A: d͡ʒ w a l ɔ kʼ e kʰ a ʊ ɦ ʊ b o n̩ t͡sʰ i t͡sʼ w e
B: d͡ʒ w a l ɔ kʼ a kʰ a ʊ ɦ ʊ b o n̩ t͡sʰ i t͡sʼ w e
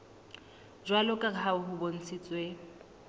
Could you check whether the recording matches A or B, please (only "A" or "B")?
B